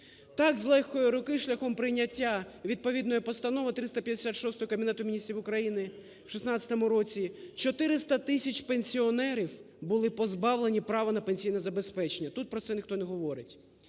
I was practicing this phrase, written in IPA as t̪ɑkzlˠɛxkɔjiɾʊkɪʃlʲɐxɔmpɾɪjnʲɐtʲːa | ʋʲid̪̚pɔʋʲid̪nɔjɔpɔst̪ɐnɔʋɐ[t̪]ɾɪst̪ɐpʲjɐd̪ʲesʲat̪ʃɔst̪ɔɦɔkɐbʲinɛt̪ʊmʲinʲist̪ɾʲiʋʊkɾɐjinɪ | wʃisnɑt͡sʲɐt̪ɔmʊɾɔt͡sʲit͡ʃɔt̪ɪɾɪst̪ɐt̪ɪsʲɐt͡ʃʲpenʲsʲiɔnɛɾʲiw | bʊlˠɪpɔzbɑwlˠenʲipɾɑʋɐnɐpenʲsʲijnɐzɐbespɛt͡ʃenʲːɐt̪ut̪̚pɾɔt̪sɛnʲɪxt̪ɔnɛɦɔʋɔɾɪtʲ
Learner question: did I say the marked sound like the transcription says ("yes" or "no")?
yes